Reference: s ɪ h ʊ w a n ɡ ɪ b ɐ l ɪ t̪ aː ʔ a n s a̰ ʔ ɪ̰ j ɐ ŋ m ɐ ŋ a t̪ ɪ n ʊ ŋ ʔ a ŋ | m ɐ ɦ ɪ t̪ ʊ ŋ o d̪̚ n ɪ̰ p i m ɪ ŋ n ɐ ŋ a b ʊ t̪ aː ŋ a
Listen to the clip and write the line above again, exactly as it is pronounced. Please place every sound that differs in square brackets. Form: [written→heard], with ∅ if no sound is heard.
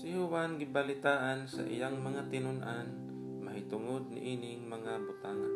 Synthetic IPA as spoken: s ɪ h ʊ w a n ɡ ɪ b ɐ l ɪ t̪ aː ʔ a n s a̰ ʔ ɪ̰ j [ɐ→a] ŋ m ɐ ŋ a t̪ ɪ n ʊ [ŋ→n] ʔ a [ŋ→n] | m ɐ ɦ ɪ t̪ ʊ ŋ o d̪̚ n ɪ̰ [p→ʔ] i [m→n] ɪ ŋ [n→m] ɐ ŋ a b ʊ t̪ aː ŋ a